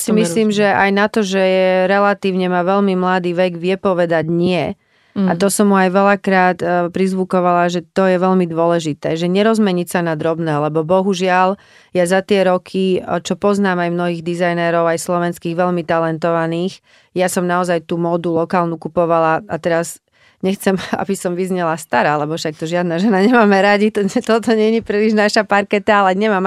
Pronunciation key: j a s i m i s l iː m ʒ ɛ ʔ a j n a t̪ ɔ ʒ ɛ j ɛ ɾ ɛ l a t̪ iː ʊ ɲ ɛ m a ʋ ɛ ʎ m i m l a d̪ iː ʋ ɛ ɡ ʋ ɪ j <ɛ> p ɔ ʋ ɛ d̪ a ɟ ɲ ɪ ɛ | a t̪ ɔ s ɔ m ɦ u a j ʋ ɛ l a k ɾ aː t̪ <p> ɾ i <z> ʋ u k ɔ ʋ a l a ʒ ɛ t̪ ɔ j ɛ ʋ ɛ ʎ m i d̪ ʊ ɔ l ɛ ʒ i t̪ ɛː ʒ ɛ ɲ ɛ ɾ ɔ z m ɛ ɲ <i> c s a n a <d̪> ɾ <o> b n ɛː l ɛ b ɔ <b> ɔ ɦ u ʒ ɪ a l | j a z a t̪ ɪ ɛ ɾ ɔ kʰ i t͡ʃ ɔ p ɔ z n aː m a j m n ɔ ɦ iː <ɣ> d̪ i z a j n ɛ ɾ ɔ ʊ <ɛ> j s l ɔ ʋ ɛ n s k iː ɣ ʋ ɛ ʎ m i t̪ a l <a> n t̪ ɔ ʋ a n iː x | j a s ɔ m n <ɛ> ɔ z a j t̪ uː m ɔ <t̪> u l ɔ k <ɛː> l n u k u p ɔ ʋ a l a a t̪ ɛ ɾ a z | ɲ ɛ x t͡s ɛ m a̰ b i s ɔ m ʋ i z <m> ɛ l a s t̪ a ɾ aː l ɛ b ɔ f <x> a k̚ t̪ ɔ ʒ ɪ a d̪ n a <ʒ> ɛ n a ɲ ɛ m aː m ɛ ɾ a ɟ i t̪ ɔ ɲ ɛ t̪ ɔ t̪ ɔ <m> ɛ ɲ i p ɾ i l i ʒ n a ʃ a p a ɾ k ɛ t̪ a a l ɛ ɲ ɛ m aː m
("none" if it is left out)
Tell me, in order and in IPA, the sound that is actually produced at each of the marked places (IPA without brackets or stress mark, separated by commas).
ɛ, p, z, i, d̪, ɔ, b, ɣ, a, ɛ, a, d̪, aː, ɲ, ʃ, ʒ, ɲ